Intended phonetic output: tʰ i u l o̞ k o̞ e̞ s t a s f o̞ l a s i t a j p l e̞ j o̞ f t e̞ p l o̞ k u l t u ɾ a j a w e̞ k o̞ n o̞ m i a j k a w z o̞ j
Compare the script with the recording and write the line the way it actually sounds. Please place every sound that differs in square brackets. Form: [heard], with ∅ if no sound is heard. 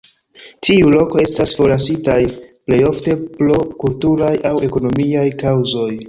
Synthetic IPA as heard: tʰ i u l o̞ k o̞ e̞ s t a s f o̞ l a s i t a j p l e̞ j o̞ f t e̞ p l o̞ k u l t u ɾ a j a w e̞ k o̞ n o̞ m i a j k a w z o̞ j

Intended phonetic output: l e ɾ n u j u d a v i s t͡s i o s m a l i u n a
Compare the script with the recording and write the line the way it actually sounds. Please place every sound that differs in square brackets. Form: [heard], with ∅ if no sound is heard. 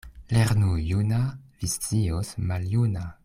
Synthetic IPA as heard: l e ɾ n u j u [n] a v i s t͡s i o s m a l [j] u n a

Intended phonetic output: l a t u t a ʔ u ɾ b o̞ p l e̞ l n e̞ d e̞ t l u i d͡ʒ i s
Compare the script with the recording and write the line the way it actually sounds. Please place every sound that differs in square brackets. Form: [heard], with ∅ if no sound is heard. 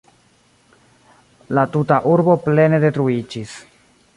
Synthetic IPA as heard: l a t u t a ʔ u ɾ b o̞ p l e̞ [∅] n e̞ d e̞ t [ɾ] u i d͡ʒ i s

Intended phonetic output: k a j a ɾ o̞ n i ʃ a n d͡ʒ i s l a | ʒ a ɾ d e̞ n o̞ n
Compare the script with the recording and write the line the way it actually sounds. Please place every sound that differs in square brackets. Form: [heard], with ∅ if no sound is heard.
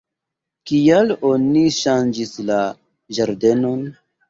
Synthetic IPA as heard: k [i] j a [l] o̞ n i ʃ a n d͡ʒ i s l a | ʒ a ɾ d e̞ n o̞ n

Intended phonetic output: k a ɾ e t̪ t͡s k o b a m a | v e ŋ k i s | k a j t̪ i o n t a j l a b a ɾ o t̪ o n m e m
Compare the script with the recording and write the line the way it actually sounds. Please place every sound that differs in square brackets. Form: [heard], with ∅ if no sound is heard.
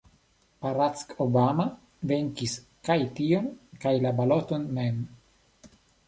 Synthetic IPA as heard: [p] a ɾ [a] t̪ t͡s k o b a m a | v e ŋ k i s | k a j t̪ i o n [k] a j l a b a [l] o t̪ o n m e m

